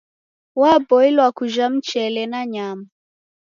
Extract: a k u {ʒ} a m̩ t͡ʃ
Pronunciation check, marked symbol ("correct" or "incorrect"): correct